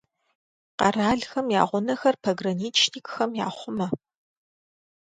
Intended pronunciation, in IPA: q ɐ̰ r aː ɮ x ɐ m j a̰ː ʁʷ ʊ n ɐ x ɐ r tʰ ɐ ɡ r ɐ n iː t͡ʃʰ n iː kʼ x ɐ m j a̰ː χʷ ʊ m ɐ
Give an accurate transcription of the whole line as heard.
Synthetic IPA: q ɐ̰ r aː ɮ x ɐ m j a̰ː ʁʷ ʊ n ɐ x ɐ r pʰ ɐ ɡ r ɐ n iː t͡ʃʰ n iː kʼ x ɐ m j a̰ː χʷ ʊ m ɐ